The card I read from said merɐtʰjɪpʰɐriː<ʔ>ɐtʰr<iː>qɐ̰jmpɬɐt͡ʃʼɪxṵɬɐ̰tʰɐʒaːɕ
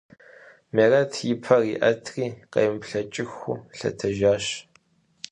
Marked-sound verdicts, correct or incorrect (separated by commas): correct, correct